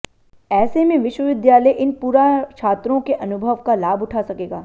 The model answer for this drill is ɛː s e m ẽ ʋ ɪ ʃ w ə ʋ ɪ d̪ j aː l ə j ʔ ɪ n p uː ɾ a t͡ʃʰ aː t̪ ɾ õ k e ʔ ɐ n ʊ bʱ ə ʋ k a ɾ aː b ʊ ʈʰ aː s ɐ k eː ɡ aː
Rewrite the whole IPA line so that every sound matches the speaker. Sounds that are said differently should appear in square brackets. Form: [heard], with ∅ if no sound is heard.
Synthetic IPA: ɛː s e m ẽ ʋ ɪ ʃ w ə ʋ ɪ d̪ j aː l ə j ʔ ɪ n p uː ɾ a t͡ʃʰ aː t̪ ɾ õ k e ʔ ɐ n ʊ bʱ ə ʋ k a [l] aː b ʊ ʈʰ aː s ɐ k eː ɡ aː